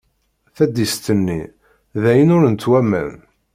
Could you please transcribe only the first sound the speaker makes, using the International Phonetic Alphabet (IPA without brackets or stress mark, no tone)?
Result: θ